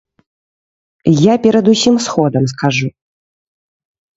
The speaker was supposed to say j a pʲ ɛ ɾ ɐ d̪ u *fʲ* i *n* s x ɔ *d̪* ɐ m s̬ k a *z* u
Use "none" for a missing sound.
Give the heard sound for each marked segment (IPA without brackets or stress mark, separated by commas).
sʲ, m, d̪, ʐ